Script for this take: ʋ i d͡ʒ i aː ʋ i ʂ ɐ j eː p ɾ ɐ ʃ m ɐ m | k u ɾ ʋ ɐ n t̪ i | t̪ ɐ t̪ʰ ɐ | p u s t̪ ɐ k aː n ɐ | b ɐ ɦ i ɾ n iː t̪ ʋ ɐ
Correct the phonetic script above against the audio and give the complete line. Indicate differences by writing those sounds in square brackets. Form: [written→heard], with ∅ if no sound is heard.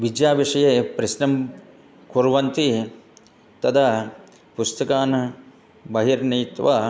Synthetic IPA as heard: ʋ i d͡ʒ [i→j] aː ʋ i ʂ ɐ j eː p ɾ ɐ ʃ [m→n] ɐ m | k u ɾ ʋ ɐ n t̪ i | t̪ ɐ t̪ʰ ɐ | p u s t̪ ɐ k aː n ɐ | b ɐ ɦ i ɾ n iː t̪ ʋ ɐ